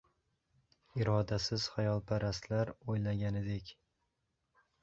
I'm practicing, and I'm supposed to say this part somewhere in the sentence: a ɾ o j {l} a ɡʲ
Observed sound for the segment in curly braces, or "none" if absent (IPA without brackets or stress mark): l